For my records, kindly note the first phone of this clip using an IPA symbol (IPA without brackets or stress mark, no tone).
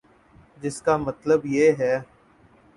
d͡ʒ